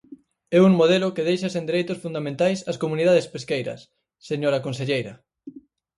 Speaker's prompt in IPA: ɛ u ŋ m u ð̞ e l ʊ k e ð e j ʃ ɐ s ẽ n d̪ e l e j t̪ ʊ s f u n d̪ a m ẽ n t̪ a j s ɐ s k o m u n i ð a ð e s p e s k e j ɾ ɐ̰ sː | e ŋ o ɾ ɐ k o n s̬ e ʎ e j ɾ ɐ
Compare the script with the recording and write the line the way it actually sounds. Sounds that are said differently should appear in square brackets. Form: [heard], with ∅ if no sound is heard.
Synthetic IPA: ɛ u ŋ m [o] ð̞ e l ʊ k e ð e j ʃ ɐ s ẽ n d̪ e [ɾ] e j t̪ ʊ s f u n d̪ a m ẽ n t̪ a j s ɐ s k o m u n i ð a ð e s p e s k e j ɾ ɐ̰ sː | e [ɲ] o ɾ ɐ k o n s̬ e ʎ e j ɾ ɐ